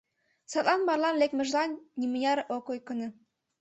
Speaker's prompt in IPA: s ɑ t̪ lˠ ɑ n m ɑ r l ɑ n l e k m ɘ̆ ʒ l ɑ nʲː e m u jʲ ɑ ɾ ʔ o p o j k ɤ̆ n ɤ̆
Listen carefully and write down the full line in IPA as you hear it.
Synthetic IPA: s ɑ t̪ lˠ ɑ n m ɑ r l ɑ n l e k m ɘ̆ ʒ l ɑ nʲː i m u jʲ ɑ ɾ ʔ o k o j k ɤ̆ n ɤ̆